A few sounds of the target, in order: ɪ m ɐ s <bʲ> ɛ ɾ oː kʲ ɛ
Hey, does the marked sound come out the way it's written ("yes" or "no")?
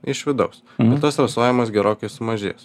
no